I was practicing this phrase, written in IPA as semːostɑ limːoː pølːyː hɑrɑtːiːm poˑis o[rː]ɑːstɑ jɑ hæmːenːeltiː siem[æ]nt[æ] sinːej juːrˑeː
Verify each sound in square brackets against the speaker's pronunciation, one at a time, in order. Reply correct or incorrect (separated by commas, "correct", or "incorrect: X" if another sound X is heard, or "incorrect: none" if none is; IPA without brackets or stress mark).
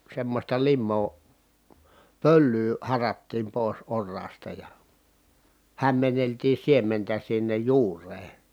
correct, incorrect: e, correct